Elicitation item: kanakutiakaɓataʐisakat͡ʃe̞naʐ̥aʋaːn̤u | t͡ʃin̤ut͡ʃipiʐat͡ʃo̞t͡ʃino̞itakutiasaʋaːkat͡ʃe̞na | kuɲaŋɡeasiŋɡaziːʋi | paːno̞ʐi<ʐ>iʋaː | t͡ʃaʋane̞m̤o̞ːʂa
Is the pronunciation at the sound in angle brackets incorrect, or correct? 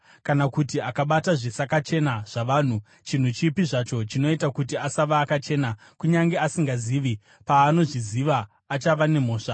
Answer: incorrect: z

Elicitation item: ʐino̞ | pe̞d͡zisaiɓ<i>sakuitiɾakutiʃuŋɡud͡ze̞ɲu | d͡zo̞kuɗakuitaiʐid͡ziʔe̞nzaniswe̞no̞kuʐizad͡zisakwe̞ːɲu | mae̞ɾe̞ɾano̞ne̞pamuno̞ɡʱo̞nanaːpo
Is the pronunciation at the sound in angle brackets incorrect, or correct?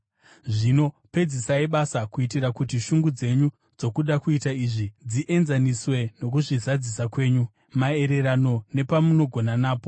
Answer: incorrect: a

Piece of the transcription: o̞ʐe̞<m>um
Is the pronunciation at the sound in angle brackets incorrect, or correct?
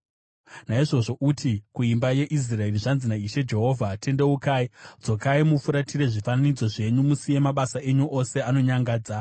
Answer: incorrect: ɲ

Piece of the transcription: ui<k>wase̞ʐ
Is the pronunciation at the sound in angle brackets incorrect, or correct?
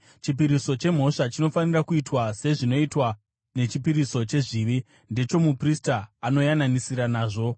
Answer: incorrect: t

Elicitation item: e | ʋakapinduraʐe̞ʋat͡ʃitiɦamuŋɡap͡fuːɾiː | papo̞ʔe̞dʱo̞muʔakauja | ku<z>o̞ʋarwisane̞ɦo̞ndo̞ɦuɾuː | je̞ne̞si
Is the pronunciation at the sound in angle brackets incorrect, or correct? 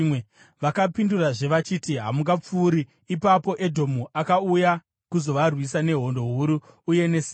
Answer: correct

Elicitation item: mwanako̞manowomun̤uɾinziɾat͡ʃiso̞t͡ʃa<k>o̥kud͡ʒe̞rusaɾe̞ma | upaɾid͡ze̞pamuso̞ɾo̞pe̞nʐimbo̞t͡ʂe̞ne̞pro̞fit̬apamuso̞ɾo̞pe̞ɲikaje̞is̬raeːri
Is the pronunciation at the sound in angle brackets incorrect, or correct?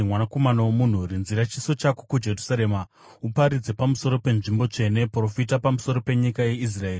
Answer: correct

